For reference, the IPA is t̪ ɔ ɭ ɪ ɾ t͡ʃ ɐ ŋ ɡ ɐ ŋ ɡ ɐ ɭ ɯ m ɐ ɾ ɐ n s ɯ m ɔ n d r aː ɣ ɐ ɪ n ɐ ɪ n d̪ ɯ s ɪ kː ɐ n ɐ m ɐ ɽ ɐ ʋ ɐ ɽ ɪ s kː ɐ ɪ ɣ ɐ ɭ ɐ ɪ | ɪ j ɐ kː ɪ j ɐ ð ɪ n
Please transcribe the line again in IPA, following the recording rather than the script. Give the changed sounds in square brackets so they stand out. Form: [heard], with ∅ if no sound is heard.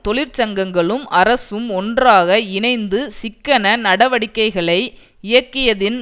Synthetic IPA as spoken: t̪ ɔ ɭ ɪ ɾ t͡ʃ ɐ ŋ ɡ ɐ ŋ ɡ ɐ ɭ ɯ m ɐ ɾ ɐ [∅] s ɯ m ɔ n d r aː ɣ ɐ ɪ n ɐ ɪ n d̪ ɯ s ɪ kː ɐ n ɐ [n] ɐ ɽ ɐ ʋ ɐ ɽ ɪ [∅] kː ɐ ɪ ɣ ɐ ɭ ɐ ɪ | ɪ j ɐ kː ɪ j ɐ ð ɪ n